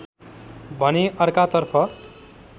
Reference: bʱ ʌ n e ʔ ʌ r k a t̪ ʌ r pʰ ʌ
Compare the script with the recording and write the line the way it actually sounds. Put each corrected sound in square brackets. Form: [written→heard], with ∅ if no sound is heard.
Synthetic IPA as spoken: bʱ ʌ n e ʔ ʌ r k a t̪ ʌ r pʰ ʌ